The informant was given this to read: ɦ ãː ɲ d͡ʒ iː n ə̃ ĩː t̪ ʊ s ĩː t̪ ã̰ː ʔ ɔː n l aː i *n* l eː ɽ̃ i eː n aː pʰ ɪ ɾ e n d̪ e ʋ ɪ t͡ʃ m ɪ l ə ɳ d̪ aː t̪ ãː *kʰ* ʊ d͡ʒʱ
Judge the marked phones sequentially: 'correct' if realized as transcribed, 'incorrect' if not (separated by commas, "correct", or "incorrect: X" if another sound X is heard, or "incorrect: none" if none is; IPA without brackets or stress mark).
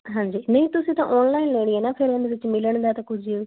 correct, incorrect: k